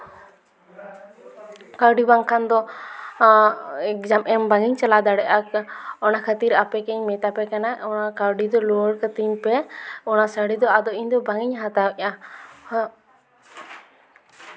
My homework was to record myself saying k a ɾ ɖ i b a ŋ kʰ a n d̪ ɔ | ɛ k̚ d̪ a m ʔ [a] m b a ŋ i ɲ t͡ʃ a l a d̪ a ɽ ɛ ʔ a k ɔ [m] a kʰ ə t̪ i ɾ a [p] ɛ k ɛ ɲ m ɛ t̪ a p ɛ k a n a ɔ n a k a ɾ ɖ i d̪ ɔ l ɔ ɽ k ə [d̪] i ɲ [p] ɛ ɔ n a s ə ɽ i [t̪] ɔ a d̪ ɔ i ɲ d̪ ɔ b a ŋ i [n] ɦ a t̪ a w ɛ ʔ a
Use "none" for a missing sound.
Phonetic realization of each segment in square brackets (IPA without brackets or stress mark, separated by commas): ɛ, n, p, t̪, p, d̪, ɲ